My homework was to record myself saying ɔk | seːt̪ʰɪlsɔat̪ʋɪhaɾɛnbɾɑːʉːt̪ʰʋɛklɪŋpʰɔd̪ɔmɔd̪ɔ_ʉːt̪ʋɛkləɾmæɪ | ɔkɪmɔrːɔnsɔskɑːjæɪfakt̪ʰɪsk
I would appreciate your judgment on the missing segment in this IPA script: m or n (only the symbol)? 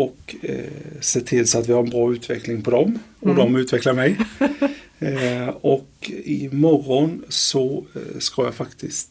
m